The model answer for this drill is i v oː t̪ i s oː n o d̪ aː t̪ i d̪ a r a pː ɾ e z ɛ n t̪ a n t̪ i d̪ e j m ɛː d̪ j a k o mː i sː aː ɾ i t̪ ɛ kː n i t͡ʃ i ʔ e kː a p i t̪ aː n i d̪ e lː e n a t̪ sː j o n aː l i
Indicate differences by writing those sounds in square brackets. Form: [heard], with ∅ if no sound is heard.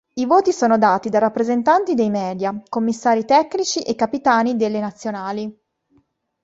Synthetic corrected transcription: i v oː t̪ i s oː n o d̪ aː t̪ i d̪ a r a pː ɾ e z [e] n t̪ a n t̪ i d̪ e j m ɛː d̪ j a k o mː i sː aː ɾ i t̪ ɛ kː n i t͡ʃ i ʔ e kː a p i t̪ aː n i d̪ e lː e n a t̪ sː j o n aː l i